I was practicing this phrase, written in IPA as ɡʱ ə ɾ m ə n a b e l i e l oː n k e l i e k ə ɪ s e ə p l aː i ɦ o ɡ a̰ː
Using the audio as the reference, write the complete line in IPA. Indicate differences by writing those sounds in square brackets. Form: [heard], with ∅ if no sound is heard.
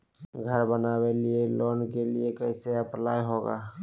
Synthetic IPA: ɡʱ ə ɾ [b] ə n a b e l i e l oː n k e l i e k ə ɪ s e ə p l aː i ɦ o ɡ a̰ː

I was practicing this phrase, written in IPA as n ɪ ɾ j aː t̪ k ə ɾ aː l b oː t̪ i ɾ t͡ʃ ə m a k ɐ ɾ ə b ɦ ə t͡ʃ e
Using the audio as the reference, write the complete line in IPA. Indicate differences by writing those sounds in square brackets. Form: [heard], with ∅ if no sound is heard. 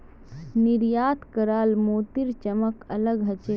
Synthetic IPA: n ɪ ɾ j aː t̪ k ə ɾ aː l [m] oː t̪ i ɾ t͡ʃ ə m [ə] k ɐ [l] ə [ɡ] ɦ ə t͡ʃ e

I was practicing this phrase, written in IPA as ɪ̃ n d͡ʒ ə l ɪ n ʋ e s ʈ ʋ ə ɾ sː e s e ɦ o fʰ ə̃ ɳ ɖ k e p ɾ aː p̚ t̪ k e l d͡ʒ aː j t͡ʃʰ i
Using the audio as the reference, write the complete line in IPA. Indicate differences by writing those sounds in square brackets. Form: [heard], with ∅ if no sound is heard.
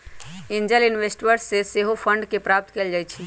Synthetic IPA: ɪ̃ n d͡ʒ ə l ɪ n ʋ e s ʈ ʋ ə ɾ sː e s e ɦ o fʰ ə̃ ɳ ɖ k e p ɾ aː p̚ t̪ k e l d͡ʒ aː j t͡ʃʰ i

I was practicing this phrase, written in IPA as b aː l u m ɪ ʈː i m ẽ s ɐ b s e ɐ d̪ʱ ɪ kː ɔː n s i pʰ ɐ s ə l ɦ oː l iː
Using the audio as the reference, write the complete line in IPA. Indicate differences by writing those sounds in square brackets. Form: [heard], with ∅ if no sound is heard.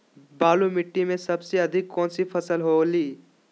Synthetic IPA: b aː l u m ɪ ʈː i m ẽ s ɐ b s e ɐ d̪ʱ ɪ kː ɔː n s i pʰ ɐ s ə l ɦ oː l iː

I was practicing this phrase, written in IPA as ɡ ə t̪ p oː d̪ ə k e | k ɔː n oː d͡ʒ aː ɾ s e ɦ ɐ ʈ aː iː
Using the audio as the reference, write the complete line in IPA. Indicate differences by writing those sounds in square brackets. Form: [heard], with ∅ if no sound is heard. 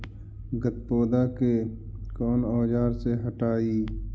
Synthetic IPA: ɡ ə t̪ p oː d̪ [a] k e | k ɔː n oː d͡ʒ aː ɾ s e ɦ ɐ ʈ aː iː

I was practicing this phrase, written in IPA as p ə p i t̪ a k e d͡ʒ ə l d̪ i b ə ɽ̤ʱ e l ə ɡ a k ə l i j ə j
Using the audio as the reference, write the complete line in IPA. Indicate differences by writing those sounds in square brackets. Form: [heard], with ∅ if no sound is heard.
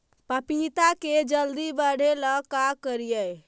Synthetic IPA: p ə p i t̪ a k e d͡ʒ ə l d̪ i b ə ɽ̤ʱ e l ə [k] a k ə [ɾ] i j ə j

